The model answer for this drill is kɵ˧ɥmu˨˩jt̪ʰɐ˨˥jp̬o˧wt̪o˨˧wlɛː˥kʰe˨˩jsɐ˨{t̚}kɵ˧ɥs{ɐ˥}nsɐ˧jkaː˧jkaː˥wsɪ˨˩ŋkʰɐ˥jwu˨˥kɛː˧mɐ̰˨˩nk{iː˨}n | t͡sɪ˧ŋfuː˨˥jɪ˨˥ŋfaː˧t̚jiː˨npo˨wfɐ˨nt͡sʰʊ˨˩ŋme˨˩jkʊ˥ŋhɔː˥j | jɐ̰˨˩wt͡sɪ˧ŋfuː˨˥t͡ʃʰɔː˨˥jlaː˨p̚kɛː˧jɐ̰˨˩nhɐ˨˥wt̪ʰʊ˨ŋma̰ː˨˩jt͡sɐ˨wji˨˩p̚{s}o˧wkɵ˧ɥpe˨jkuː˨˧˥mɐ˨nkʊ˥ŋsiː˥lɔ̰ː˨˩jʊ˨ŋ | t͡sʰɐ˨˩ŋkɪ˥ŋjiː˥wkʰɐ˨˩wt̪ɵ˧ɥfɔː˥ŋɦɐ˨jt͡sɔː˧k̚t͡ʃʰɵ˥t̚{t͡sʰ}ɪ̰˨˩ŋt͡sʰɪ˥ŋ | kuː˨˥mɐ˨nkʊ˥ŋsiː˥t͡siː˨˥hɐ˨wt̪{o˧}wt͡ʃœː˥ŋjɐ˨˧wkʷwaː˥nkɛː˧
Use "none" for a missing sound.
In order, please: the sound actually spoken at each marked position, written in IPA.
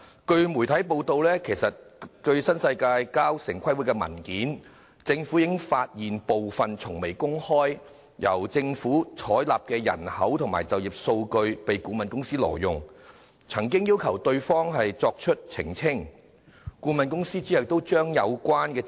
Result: t̚, ɐ˥, iː˨˥, s, t͡sʰ, o˥

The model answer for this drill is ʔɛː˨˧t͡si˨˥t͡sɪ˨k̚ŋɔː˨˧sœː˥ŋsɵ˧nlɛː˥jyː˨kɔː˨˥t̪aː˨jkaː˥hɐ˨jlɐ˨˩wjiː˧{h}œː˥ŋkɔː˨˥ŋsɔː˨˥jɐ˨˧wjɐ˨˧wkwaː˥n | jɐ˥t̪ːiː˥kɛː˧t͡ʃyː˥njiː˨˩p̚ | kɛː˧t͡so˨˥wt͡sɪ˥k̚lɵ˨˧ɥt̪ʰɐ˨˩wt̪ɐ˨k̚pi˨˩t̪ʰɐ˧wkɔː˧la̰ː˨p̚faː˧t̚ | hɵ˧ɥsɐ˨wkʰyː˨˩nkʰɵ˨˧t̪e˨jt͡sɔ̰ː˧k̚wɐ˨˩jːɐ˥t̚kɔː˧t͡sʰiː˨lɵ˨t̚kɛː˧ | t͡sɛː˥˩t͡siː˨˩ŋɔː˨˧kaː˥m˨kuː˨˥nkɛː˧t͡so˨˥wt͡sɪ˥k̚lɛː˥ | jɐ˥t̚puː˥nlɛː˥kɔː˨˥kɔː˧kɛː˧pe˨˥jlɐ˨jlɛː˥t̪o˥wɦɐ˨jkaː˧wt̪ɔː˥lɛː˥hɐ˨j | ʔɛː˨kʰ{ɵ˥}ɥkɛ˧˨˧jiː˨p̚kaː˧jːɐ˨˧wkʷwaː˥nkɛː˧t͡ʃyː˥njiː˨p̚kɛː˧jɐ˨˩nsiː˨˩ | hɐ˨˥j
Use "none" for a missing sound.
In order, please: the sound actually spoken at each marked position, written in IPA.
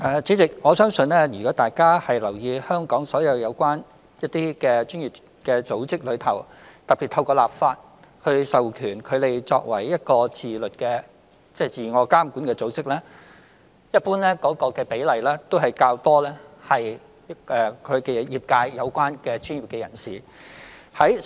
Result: h, ɵ˨˧

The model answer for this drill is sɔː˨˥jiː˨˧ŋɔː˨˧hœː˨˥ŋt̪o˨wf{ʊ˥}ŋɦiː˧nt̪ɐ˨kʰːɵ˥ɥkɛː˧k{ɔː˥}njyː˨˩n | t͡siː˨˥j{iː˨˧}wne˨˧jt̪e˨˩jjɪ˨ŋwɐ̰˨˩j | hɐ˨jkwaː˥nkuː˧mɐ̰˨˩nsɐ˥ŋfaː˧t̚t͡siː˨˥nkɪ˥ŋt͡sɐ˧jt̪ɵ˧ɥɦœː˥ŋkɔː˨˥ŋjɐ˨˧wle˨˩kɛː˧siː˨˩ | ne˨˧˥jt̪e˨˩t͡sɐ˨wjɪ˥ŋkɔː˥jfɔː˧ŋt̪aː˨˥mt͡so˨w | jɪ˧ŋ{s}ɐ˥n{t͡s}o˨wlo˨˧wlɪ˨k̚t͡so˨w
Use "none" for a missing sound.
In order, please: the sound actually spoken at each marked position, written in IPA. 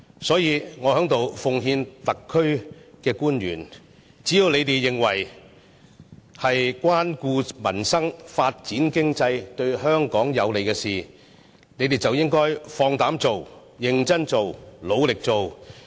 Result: ʊ˨, uː˥, i˨˧, t͡s, t͡s

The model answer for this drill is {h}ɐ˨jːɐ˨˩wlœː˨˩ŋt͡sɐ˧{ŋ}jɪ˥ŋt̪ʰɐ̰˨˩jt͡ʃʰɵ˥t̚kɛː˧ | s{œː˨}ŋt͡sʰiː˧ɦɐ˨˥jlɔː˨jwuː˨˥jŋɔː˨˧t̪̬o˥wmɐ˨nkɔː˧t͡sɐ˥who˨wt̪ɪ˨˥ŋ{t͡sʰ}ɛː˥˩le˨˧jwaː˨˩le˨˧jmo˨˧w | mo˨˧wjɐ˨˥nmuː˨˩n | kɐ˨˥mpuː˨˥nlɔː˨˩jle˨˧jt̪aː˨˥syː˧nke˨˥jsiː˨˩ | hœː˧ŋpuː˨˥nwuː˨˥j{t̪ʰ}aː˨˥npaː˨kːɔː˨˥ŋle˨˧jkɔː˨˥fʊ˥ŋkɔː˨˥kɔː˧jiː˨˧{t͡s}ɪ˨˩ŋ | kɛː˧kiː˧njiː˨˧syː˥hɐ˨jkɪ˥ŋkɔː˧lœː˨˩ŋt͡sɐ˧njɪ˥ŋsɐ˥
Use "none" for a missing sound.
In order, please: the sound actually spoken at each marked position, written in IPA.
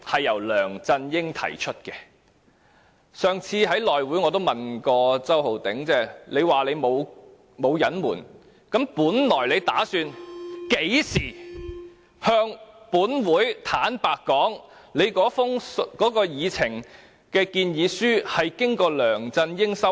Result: h, n, œː˨, t͡s, t̪ʰ, t͡sʰ

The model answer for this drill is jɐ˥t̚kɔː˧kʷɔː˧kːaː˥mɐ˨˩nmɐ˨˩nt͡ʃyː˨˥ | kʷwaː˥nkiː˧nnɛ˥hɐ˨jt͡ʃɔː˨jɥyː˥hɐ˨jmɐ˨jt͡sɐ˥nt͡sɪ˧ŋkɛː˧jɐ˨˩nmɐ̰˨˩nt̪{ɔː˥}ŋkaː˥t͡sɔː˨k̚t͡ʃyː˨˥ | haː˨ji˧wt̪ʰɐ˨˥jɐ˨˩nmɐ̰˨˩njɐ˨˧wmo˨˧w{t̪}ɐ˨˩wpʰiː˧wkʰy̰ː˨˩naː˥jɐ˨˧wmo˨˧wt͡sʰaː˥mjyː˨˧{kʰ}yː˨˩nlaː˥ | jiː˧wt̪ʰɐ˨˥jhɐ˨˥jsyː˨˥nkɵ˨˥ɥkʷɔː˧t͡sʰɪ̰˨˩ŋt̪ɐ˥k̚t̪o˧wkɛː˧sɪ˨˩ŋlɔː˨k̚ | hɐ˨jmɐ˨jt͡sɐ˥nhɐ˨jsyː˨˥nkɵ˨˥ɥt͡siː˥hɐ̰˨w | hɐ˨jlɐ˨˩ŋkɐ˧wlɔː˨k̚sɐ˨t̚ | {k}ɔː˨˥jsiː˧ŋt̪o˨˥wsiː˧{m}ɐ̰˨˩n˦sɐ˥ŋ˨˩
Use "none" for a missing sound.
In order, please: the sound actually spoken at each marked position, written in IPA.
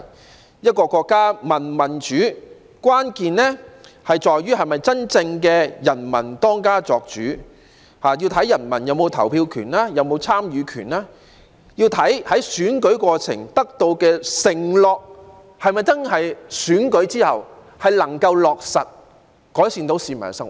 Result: ɔː˥, t̪ʰ, kʰ, k, m

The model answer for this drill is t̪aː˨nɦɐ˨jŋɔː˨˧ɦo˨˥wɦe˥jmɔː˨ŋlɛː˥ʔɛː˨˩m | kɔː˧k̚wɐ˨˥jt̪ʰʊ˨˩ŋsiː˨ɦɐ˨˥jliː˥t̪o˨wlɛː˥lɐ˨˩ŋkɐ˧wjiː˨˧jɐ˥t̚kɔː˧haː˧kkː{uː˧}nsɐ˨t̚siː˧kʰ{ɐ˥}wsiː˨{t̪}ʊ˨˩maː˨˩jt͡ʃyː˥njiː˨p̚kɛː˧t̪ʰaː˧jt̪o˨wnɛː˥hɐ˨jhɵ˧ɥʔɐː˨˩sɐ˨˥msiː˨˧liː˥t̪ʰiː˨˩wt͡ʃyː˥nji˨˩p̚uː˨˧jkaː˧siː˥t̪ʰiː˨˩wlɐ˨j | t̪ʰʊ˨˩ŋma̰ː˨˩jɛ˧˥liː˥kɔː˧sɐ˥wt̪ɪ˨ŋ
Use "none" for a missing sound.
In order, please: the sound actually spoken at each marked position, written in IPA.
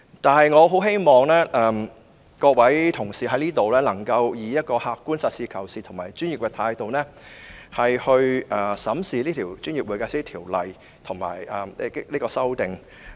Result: uː˥, ɐ˨˩, t̪ʰ

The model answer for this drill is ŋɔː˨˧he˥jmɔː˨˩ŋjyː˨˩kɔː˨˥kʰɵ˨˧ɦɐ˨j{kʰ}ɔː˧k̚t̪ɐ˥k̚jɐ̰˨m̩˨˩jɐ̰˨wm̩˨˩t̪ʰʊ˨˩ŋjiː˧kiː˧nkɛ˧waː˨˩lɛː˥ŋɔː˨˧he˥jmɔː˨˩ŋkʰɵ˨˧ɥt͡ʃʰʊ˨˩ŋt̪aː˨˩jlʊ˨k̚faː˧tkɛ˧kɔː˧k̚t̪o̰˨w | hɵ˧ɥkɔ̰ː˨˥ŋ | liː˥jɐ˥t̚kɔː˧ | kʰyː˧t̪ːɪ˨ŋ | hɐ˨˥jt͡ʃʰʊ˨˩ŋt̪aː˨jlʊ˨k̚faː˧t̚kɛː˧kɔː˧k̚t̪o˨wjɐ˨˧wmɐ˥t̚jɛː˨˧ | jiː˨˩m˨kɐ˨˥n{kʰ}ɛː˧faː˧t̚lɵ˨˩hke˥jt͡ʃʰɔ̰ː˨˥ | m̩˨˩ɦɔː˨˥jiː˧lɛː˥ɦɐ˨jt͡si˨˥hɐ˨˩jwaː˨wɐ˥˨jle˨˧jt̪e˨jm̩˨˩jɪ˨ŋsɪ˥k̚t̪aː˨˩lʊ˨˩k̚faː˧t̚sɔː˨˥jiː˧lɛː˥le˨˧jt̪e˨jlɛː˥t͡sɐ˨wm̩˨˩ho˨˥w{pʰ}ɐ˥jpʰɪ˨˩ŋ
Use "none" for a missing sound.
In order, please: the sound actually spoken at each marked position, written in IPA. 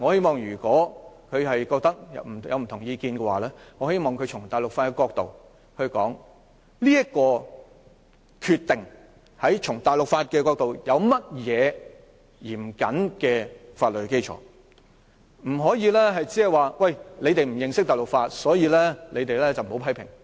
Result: k, k, pʰ

